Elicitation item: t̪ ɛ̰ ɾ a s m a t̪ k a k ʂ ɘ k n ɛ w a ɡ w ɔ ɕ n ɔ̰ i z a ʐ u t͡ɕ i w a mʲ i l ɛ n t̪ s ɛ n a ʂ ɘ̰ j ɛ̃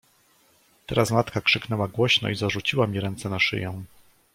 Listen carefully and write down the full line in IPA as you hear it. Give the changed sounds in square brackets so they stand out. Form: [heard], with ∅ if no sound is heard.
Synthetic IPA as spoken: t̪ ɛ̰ ɾ a s m a t̪ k a k ʂ ɘ k n ɛ w a ɡ w ɔ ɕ n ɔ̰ i z a ʐ u t͡ɕ i w a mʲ i [ɾ] ɛ n t̪ s ɛ n a ʂ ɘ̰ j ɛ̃